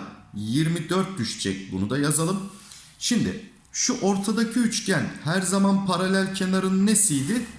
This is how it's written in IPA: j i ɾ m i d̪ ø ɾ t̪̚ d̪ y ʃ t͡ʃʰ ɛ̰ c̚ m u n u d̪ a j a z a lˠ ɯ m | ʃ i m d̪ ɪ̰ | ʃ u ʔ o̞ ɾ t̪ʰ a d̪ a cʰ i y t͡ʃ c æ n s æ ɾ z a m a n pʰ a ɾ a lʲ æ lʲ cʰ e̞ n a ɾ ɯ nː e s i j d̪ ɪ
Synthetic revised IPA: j i ɾ m i d̪ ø ɾ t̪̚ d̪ y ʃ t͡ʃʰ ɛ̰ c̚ b u n u d̪ a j a z a lˠ ɯ m | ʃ i m d̪ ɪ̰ | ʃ u ʔ o̞ ɾ t̪ʰ a d̪ a cʰ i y t͡ʃ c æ n h æ ɾ z a m a n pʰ a ɾ a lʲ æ lʲ cʰ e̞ n a ɾ ɯ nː e s i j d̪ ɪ

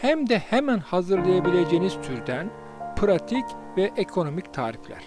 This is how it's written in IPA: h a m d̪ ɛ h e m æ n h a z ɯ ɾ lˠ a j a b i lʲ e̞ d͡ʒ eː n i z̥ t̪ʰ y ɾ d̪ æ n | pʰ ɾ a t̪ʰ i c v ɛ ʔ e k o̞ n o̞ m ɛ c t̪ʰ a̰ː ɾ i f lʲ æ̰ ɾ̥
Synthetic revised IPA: h æ m d̪ ɛ h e m æ n h a z ɯ ɾ lˠ a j a b i lʲ e̞ d͡ʒ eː n i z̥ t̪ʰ y ɾ d̪ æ n | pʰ ɾ a t̪ʰ i c v ɛ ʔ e kʰ o̞ n o̞ m i c t̪ʰ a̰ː ɾ i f lʲ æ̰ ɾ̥

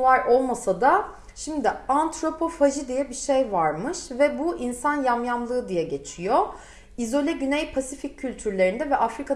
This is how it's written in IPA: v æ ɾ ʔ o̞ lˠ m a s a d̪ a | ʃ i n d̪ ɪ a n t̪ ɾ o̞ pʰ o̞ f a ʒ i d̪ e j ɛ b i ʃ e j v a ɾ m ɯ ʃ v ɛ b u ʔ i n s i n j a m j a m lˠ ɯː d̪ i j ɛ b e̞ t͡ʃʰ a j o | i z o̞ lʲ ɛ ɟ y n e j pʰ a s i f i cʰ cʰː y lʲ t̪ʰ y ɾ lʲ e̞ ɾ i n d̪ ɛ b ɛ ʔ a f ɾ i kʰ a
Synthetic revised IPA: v a ɾ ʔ o̞ lˠ m a s a d̪ a | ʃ i m d̪ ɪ a n t̪ ɾ o̞ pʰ o̞ f a ʒ i d̪ i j ɛ b i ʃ e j v a ɾ m ɯ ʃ v ɛ b u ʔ i n s a n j a m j a m lˠ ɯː d̪ i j ɛ ɟ e̞ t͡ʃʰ i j o | i z o̞ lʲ ɛ ɟ y n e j pʰ a s i f i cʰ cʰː y lʲ t̪ʰ y ɾ lʲ e̞ ɾ i n d̪ ɛ v ɛ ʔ a f ɾ i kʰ a

